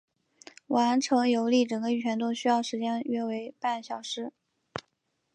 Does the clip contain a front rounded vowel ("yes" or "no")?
yes